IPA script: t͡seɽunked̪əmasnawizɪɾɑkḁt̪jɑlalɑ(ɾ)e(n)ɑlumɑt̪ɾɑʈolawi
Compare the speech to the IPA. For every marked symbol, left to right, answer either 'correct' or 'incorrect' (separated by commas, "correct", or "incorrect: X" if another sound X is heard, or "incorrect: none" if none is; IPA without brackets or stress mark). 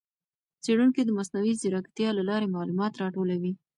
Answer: correct, incorrect: m